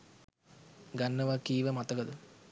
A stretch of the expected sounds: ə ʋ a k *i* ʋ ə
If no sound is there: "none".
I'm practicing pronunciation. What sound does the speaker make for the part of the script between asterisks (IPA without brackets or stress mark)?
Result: iː